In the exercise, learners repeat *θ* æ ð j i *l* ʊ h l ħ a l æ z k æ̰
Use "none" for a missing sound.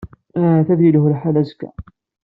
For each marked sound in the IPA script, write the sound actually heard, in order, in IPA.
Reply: θ, l

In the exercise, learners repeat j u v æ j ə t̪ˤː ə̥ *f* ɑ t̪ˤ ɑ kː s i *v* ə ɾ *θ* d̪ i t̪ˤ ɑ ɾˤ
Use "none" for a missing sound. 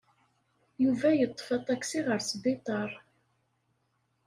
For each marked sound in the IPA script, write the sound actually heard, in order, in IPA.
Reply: f, ʁ, s

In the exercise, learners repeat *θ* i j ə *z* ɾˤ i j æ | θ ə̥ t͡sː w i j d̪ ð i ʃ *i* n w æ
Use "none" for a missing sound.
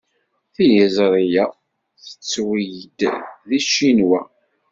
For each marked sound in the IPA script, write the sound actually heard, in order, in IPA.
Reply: θ, z, i

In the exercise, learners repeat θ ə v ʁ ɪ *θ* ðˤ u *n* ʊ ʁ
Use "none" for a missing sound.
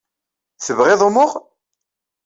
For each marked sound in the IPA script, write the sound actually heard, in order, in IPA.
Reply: none, m

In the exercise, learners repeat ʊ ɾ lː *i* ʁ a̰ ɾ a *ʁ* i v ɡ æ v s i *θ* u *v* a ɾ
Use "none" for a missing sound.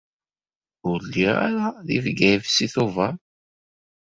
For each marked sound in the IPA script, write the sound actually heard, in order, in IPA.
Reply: i, ð, θ, v

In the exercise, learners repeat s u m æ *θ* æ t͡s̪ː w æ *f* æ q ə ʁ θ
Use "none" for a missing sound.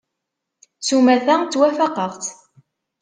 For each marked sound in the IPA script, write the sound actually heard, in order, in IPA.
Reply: θ, f

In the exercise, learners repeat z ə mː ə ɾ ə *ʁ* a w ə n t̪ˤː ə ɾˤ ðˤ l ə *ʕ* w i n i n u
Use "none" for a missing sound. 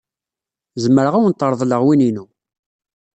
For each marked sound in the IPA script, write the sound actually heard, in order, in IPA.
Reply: ʁ, ʁ

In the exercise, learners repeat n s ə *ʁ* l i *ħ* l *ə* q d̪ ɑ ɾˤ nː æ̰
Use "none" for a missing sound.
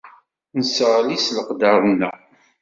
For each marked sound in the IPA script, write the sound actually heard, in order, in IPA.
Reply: ʁ, s, ə

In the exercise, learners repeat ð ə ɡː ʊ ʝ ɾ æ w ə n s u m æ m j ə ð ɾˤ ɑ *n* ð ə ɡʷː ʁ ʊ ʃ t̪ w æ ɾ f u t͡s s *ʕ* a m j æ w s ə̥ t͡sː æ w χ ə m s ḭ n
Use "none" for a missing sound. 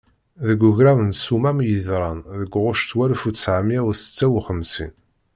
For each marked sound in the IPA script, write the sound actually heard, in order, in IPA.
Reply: n, ʕ

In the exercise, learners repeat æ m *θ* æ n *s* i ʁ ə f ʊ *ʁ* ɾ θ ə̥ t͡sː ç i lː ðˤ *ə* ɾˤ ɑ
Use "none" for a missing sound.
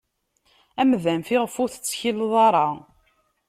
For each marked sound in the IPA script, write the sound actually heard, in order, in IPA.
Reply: ð, f, none, ɑ

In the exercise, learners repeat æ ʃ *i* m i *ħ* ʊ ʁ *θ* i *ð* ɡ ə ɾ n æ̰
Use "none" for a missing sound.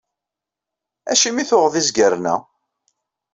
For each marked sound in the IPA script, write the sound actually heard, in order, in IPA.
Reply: i, θ, ð, z

